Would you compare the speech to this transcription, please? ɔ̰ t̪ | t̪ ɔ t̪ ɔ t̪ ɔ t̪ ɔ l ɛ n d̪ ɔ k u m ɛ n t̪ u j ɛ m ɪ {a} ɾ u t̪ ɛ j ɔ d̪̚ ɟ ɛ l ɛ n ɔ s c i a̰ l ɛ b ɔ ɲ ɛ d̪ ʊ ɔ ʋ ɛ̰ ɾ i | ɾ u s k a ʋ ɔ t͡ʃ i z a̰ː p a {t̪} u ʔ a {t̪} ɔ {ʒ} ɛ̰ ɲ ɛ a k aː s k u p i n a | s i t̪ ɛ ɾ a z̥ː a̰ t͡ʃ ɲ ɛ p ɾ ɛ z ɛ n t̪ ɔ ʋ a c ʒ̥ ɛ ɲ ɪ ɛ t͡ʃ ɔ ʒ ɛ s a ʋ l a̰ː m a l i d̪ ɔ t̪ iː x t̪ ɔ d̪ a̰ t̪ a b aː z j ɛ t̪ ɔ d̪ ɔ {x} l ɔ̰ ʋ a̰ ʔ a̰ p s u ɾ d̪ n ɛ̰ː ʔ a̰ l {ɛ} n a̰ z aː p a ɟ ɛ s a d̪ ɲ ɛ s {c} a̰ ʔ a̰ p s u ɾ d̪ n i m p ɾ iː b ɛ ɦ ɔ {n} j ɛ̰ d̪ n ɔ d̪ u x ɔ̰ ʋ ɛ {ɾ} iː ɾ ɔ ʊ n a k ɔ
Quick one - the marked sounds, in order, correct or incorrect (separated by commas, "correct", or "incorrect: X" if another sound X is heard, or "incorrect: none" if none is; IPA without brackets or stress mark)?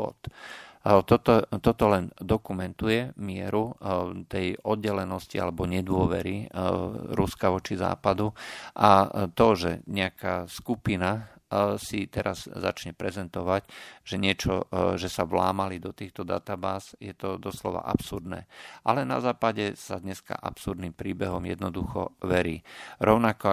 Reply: incorrect: ɛ, incorrect: d̪, correct, correct, incorrect: s, correct, incorrect: k, incorrect: m, correct